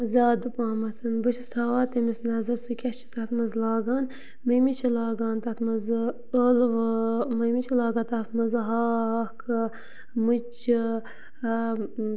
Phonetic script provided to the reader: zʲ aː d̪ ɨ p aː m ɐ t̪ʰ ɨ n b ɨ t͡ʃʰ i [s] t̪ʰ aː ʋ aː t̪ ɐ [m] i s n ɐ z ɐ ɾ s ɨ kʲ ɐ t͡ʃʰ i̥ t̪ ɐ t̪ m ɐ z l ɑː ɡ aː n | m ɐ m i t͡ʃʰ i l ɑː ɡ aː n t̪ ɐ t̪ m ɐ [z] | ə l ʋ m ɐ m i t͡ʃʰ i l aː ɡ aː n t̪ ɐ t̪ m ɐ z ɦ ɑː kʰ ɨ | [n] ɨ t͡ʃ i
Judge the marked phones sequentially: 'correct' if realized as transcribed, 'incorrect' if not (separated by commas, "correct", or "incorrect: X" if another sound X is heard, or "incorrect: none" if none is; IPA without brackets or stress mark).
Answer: correct, correct, correct, incorrect: m